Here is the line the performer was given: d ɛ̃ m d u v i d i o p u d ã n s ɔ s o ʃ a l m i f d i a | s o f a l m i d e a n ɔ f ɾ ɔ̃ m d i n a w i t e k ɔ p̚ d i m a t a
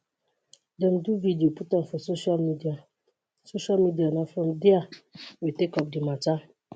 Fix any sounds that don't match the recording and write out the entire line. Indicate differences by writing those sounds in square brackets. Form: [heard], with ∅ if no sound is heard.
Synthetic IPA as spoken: d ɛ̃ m d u v i d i o p u [t] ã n [f] ɔ s o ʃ a l m i [∅] d i a | s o [ʃ] a l m i d [i] a n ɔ f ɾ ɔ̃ m d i [∅] a w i t e k ɔ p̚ d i m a t a